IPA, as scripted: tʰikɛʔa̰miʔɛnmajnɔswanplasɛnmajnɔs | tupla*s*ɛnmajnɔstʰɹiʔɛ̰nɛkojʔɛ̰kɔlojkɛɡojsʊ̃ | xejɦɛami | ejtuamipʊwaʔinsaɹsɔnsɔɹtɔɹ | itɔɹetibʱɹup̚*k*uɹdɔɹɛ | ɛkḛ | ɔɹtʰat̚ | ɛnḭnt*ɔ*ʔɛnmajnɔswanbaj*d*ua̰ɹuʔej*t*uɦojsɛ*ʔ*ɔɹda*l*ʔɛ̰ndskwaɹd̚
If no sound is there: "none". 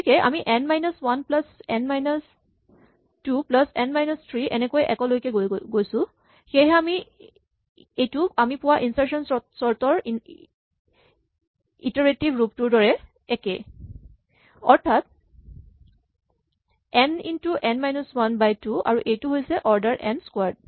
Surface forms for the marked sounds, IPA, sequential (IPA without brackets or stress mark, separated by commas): s, t, u, t, t, ʔ, ɹ